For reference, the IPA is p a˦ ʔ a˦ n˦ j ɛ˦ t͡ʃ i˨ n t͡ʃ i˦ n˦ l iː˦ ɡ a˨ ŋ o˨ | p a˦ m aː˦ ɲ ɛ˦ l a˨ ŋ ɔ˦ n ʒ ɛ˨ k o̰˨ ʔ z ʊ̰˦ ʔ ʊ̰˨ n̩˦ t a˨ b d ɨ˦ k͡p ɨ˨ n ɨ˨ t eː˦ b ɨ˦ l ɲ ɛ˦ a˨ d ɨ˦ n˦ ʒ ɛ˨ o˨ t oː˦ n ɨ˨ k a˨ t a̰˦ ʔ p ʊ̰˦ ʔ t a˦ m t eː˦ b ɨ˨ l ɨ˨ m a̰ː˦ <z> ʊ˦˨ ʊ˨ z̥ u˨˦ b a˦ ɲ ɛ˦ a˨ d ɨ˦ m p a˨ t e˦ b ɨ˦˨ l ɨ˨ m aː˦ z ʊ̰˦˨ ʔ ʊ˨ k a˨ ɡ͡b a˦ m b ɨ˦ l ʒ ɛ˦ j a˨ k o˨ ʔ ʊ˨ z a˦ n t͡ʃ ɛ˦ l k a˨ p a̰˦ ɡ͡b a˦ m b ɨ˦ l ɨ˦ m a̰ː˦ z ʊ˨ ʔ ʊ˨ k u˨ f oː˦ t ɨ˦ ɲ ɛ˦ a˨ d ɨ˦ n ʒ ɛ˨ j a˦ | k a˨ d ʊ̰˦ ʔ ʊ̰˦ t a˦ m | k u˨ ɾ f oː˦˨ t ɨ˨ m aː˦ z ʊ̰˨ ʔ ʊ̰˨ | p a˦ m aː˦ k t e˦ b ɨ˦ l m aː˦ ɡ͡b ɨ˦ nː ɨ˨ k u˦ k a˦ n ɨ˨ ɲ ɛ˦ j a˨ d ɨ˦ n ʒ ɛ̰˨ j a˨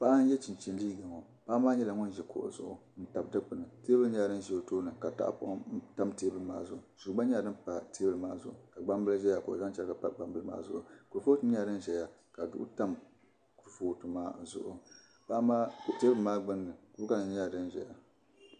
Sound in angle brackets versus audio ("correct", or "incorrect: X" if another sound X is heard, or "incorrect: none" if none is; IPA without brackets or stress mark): correct